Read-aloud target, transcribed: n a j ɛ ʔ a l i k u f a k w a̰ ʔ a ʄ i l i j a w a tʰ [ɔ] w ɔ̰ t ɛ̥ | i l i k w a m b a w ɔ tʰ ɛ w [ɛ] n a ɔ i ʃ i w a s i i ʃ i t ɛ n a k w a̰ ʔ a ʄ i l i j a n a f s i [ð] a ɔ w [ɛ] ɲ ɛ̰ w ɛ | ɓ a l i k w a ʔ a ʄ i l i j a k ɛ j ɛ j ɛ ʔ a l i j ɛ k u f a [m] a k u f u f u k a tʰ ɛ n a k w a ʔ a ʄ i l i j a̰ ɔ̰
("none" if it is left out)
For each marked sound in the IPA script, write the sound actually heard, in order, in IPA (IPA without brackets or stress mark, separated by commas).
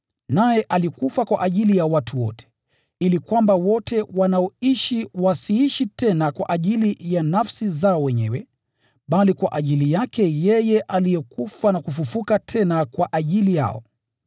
u, a, z, ɛ, n